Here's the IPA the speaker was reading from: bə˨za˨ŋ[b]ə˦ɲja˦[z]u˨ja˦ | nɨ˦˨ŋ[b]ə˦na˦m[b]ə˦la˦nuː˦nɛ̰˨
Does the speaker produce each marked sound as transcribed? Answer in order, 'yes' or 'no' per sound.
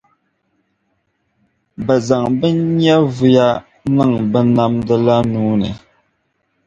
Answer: yes, no, yes, no

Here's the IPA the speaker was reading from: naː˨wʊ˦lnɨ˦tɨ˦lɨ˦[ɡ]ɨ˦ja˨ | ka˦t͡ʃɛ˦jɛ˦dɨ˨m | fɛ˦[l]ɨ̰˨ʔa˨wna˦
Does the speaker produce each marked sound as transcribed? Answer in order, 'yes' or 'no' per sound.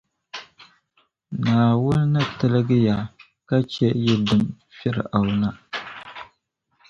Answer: yes, no

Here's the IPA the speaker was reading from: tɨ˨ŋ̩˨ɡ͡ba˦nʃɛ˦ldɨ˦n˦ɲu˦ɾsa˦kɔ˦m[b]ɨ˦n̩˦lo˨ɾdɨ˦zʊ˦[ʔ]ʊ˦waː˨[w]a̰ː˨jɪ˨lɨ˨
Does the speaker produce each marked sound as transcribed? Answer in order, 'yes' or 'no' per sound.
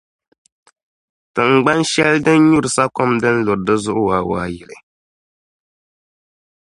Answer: no, yes, yes

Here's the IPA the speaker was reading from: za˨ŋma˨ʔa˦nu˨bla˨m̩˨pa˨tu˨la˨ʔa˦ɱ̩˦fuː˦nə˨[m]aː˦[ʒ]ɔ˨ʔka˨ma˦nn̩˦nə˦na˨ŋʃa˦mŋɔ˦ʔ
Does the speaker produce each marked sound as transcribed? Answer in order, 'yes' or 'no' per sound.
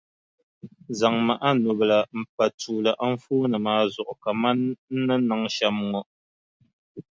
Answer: yes, no

